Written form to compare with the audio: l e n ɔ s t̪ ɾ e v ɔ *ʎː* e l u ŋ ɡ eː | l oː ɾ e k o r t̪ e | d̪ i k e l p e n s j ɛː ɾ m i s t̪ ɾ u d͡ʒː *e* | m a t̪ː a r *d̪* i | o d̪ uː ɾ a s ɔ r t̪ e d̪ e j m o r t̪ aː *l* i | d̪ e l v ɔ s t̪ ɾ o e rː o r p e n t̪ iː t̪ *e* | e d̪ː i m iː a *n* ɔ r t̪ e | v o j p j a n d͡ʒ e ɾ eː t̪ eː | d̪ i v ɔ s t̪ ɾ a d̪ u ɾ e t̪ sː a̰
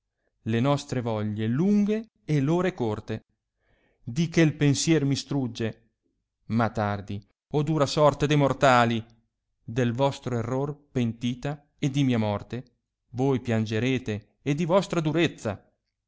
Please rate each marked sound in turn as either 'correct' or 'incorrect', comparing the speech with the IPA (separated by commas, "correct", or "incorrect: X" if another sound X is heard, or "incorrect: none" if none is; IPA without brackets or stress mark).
correct, correct, correct, correct, incorrect: a, incorrect: m